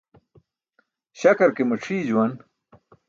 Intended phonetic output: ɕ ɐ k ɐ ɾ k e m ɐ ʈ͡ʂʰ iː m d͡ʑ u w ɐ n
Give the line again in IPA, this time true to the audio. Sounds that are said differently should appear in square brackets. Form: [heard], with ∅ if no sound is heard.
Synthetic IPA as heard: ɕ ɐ k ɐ ɾ k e m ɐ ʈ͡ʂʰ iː [∅] d͡ʑ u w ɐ n